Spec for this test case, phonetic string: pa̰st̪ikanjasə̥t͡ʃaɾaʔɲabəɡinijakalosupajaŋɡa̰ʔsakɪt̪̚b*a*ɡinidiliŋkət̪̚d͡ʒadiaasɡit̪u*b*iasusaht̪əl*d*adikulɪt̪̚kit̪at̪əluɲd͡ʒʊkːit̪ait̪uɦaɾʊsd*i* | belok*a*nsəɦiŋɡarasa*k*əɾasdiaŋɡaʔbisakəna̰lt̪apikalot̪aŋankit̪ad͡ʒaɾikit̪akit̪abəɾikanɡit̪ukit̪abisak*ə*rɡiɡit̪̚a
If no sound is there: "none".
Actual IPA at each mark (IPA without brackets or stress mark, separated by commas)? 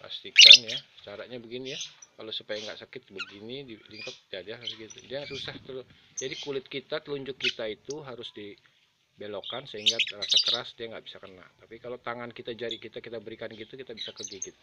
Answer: ə, d, d͡ʒ, i, a, k, ə